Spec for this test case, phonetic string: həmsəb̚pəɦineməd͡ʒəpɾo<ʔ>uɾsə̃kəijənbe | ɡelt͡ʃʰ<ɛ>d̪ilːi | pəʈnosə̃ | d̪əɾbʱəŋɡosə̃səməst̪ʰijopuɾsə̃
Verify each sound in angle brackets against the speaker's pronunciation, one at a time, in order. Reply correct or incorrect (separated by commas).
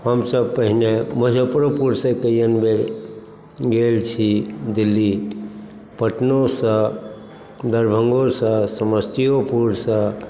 incorrect, incorrect